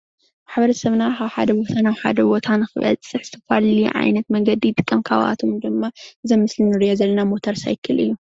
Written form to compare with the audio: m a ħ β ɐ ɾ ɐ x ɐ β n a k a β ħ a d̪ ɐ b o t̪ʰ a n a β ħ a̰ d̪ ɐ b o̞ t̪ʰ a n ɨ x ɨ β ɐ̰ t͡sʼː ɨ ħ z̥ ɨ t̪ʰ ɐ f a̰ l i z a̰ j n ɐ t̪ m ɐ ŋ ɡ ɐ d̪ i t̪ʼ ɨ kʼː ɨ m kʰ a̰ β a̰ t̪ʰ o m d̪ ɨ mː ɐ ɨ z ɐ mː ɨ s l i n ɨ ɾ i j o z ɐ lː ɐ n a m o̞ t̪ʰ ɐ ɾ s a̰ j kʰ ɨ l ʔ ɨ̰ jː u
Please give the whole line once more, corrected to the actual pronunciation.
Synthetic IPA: m a ħ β ɐ ɾ ɐ s ɐ β n a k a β ħ a d̪ ɐ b o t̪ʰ a n a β ħ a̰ d̪ ɐ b o̞ t̪ʰ a n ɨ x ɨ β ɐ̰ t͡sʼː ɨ ħ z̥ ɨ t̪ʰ ɐ f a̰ l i ʕ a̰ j n ɐ t̪ m ɐ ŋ ɡ ɐ d̪ i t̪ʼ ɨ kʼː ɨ m kʰ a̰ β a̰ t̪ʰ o m d̪ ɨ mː a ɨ z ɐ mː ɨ s l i n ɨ ɾ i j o z ɐ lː ɐ n a m o̞ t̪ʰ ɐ ɾ s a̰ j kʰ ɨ l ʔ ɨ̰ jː u